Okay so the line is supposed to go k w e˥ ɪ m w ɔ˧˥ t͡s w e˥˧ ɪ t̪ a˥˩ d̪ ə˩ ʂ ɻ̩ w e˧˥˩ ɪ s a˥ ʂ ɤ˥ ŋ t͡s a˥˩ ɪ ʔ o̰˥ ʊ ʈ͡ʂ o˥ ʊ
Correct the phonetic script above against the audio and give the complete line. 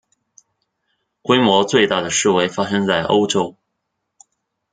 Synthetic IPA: k w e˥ ɪ m w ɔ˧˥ t͡s w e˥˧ ɪ t̪ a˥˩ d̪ ə˩ ʂ ɻ̩ w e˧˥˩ ɪ f a˥ ʂ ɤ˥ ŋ t͡s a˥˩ ɪ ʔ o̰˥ ʊ ʈ͡ʂ o˥ ʊ